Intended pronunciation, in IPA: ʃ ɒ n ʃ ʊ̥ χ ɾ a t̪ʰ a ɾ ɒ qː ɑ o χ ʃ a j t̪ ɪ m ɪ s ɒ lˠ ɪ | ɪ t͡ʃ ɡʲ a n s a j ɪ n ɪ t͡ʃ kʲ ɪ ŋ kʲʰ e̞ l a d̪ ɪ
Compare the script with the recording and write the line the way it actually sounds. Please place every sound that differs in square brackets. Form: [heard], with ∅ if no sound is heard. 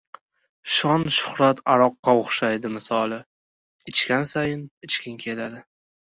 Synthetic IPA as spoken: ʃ ɒ n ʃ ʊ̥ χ ɾ a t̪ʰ a ɾ ɒ qː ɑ o χ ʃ a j [d̪] ɪ m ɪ s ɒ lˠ ɪ | ɪ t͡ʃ [kʲ] a n s a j ɪ n ɪ t͡ʃ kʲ ɪ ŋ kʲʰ e̞ l a d̪ ɪ